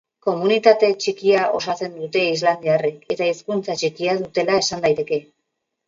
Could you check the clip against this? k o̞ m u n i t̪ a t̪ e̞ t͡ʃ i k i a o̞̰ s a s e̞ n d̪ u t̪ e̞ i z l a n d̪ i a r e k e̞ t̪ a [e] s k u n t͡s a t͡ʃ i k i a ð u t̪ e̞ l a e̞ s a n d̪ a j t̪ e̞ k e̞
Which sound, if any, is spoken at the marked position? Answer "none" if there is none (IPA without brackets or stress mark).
i